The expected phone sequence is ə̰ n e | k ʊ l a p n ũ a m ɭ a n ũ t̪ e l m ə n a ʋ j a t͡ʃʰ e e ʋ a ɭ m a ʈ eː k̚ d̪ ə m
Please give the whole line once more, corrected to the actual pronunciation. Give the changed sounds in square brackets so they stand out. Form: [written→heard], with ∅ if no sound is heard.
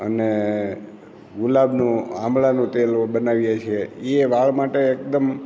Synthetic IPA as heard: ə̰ n e | [k→ɡ] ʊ l a [p→b] n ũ a m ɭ a n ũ t̪ e l [m→b] ə n a ʋ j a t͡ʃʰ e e ʋ a ɭ m a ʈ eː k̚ d̪ ə m